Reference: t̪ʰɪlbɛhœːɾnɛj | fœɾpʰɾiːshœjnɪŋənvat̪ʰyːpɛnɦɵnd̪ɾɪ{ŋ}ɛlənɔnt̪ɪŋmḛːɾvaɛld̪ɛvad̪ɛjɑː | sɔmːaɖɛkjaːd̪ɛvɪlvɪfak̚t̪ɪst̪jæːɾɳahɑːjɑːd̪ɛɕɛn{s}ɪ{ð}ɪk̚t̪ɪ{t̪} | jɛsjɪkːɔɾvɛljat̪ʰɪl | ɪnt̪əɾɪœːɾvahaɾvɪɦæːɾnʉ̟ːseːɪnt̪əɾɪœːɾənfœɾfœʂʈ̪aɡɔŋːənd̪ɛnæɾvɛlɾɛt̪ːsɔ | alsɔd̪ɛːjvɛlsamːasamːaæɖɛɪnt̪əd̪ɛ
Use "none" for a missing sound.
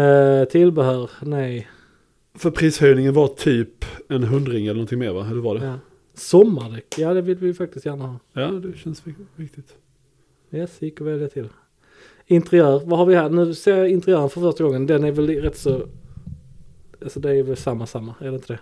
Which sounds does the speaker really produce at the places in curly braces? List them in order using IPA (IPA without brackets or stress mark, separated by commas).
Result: ŋ, s, v, t̪